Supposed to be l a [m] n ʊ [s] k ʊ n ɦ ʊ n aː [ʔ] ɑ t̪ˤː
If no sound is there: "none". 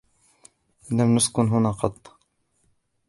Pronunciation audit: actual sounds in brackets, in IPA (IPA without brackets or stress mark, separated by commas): m, s, q